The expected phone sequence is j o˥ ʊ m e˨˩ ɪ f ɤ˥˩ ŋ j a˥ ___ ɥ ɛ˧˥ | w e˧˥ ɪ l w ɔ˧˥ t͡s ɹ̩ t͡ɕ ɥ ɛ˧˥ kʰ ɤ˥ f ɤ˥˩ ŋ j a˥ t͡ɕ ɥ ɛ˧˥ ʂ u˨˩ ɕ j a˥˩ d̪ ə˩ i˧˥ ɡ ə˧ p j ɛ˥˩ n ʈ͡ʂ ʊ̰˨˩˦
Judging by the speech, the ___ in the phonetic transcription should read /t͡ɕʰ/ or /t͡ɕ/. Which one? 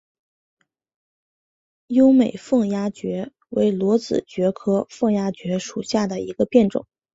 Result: t͡ɕ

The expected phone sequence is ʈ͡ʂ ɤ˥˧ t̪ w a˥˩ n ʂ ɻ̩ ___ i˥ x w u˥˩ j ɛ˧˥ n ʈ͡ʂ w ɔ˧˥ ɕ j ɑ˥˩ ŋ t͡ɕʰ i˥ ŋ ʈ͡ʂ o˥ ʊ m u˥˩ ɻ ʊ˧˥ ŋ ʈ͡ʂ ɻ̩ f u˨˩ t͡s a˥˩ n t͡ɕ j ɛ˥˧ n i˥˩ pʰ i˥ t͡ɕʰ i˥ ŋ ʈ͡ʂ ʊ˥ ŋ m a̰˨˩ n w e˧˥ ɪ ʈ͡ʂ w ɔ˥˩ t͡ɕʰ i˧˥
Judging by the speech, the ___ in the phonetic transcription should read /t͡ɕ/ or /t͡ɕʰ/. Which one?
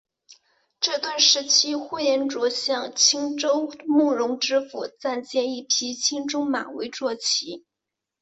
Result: t͡ɕʰ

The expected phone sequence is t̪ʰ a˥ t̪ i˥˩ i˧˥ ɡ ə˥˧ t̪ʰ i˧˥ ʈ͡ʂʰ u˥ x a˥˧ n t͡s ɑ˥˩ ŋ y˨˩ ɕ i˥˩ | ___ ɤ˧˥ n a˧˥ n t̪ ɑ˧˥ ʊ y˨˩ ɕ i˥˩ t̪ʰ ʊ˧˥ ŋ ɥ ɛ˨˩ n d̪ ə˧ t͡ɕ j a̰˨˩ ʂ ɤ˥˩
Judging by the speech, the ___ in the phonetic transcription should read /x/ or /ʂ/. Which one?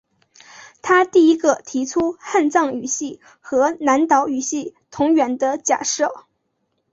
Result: x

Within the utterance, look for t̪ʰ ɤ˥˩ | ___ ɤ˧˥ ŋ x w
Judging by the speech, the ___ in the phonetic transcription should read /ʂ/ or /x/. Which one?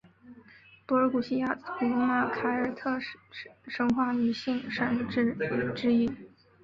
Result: ʂ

